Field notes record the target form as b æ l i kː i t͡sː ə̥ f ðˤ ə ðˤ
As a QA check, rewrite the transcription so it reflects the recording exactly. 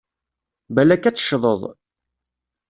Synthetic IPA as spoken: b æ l æ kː æ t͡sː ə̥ ʃ ðˤ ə ðˤ